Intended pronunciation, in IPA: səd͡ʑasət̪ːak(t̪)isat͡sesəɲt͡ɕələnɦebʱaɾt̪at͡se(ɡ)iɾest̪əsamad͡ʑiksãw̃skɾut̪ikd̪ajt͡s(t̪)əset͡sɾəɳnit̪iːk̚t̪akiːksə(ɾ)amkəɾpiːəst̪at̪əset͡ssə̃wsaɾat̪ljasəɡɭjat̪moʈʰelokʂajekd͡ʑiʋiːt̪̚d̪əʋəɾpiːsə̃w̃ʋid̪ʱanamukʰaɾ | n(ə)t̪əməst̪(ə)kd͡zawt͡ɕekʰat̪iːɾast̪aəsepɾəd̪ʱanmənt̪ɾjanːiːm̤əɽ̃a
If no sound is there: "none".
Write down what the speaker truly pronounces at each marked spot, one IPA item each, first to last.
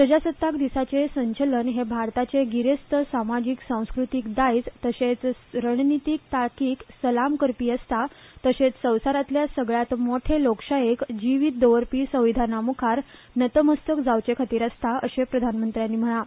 d̪, ɡ, t̪, l, ə, ə

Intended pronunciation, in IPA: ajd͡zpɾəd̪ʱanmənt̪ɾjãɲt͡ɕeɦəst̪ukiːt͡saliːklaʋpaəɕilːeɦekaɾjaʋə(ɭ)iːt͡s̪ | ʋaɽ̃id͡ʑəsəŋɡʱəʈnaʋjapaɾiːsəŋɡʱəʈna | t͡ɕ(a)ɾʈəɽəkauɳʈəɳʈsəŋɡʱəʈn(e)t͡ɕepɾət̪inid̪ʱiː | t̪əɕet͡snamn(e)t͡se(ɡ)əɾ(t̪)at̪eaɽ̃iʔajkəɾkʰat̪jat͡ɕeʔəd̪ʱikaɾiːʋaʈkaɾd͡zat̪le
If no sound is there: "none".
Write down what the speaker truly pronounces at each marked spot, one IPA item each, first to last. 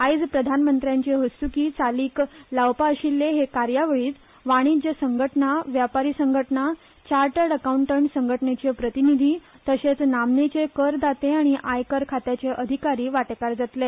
ɭ, a, e, e, k, d̪

